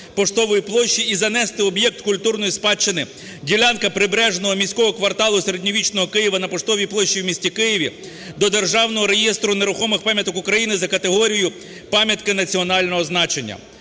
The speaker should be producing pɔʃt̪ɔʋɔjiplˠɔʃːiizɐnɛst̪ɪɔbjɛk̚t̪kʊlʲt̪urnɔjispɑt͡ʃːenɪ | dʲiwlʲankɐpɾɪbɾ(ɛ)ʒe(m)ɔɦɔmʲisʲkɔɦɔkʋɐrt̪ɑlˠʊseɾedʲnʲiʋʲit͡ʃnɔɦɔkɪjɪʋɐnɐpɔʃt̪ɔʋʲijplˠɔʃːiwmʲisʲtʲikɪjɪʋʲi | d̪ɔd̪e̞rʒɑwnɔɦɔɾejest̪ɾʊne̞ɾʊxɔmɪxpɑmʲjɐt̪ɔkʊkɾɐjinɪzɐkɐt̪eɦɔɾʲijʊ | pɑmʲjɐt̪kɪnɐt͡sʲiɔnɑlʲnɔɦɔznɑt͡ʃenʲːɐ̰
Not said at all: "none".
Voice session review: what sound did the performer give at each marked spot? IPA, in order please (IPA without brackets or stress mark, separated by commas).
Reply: ɛ, n